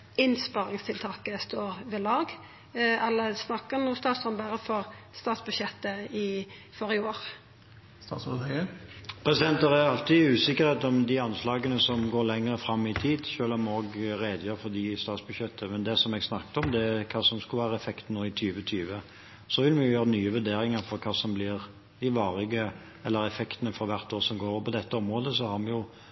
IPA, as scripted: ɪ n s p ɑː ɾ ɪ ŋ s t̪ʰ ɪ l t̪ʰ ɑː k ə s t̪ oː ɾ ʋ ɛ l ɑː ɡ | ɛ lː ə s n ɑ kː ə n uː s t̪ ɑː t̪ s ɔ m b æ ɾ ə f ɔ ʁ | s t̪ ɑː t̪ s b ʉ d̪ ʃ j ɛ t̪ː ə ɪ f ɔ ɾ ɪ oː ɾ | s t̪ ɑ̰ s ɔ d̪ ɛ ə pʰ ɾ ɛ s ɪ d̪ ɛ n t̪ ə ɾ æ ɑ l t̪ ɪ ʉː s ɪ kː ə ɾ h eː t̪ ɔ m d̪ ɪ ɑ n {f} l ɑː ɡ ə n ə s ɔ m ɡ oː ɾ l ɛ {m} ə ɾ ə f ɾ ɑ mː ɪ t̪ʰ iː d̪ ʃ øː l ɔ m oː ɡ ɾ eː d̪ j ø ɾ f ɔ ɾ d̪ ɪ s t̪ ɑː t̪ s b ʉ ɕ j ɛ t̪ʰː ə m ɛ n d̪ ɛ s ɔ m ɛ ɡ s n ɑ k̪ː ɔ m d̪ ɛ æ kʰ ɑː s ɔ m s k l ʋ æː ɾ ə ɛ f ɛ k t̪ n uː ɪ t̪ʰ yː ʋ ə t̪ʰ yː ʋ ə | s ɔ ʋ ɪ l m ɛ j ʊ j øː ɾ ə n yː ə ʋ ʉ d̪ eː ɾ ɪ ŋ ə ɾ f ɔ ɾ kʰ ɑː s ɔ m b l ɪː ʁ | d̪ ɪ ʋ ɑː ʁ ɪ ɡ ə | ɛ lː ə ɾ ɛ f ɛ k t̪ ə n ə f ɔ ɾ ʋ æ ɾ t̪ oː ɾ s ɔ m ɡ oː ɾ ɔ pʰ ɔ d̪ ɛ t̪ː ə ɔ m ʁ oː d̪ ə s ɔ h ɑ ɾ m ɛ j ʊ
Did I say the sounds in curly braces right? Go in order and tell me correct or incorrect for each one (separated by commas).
incorrect, incorrect